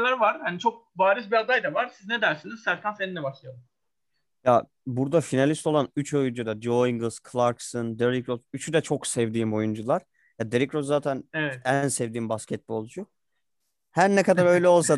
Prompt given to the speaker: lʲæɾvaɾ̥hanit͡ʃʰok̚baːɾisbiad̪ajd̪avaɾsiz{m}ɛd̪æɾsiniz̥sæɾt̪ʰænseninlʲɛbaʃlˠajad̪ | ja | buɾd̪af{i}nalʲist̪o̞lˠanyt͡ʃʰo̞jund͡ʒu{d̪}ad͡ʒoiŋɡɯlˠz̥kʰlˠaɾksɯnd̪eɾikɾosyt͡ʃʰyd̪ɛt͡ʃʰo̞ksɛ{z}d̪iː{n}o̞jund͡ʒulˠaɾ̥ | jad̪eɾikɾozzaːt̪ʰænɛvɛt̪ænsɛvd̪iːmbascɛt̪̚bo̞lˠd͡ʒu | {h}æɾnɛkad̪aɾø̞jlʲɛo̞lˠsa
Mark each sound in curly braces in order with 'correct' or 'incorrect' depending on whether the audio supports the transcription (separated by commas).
incorrect, correct, correct, incorrect, incorrect, correct